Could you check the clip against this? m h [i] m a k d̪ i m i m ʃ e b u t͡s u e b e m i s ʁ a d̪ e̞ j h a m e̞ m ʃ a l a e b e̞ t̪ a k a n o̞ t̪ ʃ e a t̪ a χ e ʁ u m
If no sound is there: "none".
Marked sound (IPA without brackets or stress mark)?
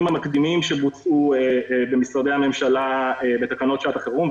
a